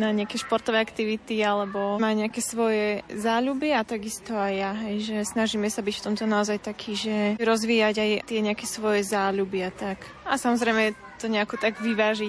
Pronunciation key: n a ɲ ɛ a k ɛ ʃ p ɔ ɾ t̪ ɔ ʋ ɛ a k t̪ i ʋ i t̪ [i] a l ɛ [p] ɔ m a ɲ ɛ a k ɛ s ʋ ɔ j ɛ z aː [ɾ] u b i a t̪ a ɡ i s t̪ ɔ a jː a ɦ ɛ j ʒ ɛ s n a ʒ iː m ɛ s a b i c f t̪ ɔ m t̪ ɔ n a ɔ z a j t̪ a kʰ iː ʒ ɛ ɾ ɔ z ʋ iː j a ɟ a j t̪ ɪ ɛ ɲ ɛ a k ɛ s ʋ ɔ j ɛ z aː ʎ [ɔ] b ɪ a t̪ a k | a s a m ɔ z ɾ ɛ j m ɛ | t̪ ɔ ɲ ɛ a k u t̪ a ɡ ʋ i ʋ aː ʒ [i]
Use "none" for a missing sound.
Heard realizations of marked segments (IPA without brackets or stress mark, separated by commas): i, b, ʎ, u, i